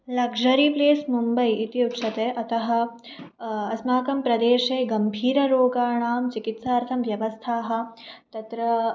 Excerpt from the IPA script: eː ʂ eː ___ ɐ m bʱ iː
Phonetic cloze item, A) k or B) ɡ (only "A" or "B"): B